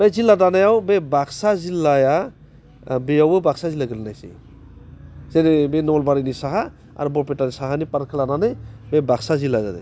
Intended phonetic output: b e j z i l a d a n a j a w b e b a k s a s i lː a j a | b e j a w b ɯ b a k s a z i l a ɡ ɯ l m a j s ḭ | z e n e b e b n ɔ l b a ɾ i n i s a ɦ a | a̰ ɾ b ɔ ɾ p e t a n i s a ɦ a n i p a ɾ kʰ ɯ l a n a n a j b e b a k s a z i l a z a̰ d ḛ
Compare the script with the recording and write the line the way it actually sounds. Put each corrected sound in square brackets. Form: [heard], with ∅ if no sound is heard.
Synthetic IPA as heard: b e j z i l a d a n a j a w b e b a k s a [z] i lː a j a | b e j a w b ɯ b a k s a z i l a ɡ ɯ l [n] a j s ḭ | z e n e b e [∅] n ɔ l b a ɾ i n i s a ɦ a | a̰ ɾ b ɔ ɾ p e t a n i s a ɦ a n i p a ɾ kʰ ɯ l a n a n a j b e b a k s a z i l a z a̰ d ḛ